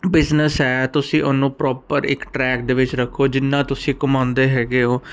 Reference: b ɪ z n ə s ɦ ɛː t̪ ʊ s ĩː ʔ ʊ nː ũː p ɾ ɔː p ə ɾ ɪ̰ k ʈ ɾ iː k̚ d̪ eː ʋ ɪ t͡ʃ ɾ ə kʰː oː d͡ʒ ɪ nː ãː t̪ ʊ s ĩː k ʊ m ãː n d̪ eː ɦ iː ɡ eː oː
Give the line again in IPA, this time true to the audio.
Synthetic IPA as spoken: b ɪ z n ə s ɦ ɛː t̪ ʊ s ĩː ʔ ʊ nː ũː p ɾ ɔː p ə ɾ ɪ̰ k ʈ ɾ ɛː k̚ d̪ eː ʋ ɪ t͡ʃ ɾ ə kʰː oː d͡ʒ ɪ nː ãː t̪ ʊ s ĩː k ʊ m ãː n d̪ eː ɦ ɛː ɡ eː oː